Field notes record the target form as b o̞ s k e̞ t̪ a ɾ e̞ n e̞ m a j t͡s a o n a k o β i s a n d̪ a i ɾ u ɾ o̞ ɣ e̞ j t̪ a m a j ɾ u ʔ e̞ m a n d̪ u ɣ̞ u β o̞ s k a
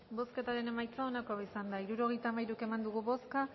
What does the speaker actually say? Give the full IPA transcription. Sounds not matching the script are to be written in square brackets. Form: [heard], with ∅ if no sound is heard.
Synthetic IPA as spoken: b o̞ s k e̞ t̪ a ɾ e̞ n e̞ m a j t͡s a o n a k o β i s a n d̪ a i ɾ u ɾ o̞ ɣ e̞ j t̪ a m a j ɾ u [k] e̞ m a n d̪ u ɣ̞ u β o̞ s k a